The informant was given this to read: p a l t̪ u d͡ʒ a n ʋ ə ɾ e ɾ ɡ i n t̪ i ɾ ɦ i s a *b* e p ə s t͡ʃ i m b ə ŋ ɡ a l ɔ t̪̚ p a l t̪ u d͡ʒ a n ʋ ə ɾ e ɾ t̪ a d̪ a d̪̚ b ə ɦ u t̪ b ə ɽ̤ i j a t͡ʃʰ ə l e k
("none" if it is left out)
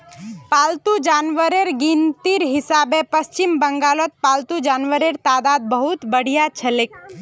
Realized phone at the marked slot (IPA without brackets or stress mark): b